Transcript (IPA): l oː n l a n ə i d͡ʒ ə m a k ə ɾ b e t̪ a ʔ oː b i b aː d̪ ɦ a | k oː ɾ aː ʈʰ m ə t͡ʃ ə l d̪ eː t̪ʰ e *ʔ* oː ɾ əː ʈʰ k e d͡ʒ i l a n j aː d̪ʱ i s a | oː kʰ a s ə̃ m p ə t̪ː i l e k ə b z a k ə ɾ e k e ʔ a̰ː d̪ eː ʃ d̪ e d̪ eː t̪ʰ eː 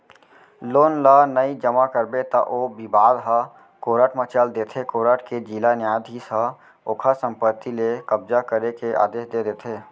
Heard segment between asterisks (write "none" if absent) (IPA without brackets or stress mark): k